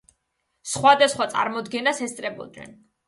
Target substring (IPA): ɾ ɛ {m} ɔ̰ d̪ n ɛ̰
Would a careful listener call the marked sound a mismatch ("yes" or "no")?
yes